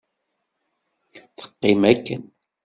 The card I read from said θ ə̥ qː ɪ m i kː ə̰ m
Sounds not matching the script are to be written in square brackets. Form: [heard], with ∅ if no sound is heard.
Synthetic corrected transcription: θ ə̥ qː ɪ m [æ] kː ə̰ [n]